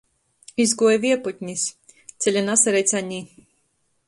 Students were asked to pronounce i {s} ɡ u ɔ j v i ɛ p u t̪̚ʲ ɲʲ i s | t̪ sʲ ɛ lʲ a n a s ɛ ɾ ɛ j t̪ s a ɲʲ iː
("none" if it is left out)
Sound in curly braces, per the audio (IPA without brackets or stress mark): z